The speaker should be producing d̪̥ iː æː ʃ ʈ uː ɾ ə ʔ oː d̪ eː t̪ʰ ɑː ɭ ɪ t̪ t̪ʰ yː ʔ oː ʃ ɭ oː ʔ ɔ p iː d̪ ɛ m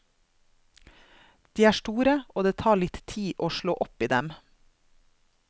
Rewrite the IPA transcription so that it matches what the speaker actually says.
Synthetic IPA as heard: d̪̥ iː æː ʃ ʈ uː ɾ ə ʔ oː d̪ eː t̪ʰ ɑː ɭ ɪ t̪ t̪ʰ iː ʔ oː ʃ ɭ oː ʔ ɔ p iː d̪ ɛ m